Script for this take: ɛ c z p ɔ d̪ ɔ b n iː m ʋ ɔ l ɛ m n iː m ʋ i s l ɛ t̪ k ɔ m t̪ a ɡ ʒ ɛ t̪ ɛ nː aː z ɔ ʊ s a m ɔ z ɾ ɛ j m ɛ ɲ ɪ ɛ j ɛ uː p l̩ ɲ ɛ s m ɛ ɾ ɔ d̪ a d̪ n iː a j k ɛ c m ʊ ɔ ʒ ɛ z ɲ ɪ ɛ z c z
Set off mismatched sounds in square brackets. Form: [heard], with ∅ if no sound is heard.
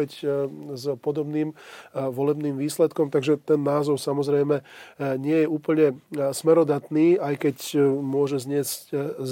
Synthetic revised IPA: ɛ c z p ɔ d̪ ɔ b n iː m ʋ ɔ l ɛ [b] n iː m ʋ [iː] s l ɛ t̪ k ɔ m t̪ a ɡ ʒ ɛ t̪ ɛ nː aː z ɔ ʊ s a m ɔ z ɾ ɛ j m ɛ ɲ ɪ ɛ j ɛ uː p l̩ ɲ ɛ s m ɛ ɾ ɔ d̪ a [t̪] n iː a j k ɛ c m ʊ ɔ ʒ ɛ z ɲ ɪ ɛ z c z